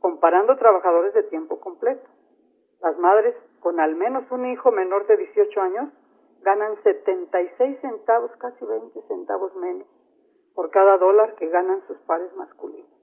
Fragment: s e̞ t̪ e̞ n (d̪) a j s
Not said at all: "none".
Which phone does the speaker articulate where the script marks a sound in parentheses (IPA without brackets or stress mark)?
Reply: t̪